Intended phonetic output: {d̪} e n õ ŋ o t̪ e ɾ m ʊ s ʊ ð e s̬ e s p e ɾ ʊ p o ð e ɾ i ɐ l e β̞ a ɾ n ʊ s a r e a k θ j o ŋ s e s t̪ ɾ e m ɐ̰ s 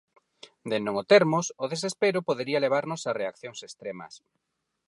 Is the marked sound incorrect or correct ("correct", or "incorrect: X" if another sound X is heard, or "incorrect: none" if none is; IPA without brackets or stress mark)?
correct